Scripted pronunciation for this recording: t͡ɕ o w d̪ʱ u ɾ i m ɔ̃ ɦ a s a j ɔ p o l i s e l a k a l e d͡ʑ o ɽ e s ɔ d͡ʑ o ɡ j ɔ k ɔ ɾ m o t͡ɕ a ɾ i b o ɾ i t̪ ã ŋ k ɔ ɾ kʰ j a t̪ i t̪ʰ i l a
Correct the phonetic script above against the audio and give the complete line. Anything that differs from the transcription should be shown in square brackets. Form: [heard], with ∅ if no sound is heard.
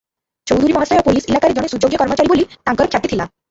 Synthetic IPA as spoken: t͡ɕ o w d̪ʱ u ɾ i m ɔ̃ ɦ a s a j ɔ p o l i s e l a k a [ɾ] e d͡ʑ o ɽ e s [u] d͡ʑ o ɡ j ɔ k ɔ ɾ m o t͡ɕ a ɾ i b o [l] i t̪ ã ŋ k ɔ ɾ kʰ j a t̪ i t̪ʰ i l a